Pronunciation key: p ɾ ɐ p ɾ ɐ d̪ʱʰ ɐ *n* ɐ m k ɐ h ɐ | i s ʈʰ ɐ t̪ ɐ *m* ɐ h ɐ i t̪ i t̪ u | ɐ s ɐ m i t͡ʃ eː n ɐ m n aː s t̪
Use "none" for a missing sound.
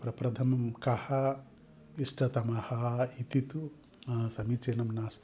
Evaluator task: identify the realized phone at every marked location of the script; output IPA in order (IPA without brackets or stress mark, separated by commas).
m, m